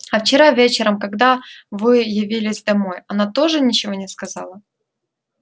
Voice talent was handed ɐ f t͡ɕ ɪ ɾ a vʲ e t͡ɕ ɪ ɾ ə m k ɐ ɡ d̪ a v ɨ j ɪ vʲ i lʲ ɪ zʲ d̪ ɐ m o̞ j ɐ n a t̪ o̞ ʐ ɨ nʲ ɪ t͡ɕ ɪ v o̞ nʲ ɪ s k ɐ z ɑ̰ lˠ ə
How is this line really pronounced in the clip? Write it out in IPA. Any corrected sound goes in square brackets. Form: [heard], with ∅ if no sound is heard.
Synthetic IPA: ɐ f t͡ɕ ɪ ɾ a vʲ e t͡ɕ ɪ ɾ ə m k ɐ ɡ d̪ a v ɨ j ɪ vʲ i lʲ ɪ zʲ d̪ ɐ m o̞ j ɐ n a t̪ o̞ ʐ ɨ nʲ ɪ t͡ɕ ɪ v o̞ nʲ ɪ s k ɐ z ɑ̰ lˠ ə